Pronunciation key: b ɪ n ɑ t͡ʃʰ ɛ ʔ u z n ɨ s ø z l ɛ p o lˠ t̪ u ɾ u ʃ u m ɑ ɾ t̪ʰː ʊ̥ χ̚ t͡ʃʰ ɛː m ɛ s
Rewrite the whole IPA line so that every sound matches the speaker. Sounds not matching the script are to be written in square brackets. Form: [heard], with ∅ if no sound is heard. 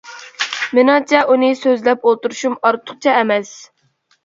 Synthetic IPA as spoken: [m] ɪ n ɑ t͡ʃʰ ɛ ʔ u [∅] n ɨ s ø z l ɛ p o lˠ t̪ u ɾ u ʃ u m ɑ ɾ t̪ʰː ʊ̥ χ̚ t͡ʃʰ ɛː m ɛ s